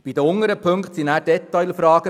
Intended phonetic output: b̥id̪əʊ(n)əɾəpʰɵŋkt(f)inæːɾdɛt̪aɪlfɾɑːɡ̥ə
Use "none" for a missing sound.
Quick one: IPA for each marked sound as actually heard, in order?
ŋ, s

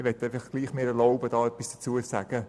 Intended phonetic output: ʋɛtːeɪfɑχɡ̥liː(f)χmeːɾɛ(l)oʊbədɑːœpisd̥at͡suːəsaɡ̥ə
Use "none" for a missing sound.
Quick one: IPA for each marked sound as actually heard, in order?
none, l

